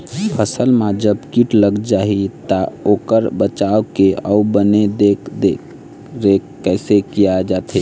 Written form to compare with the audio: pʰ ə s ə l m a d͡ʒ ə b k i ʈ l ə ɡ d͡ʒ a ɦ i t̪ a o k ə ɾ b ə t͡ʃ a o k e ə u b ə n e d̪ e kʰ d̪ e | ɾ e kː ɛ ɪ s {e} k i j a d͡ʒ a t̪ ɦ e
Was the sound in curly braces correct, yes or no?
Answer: yes